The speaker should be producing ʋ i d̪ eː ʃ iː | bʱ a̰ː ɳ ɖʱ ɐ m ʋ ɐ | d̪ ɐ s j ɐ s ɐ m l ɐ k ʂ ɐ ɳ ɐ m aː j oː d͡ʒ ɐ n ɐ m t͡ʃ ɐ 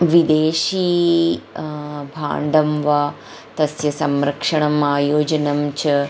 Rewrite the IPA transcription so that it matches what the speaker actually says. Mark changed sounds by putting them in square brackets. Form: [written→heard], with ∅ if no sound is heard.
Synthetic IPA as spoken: ʋ i d̪ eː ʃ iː | bʱ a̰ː ɳ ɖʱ ɐ m ʋ ɐ | [d̪→t̪] ɐ s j ɐ s ɐ m [l→ɾ] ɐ k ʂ ɐ ɳ ɐ m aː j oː d͡ʒ ɐ n ɐ m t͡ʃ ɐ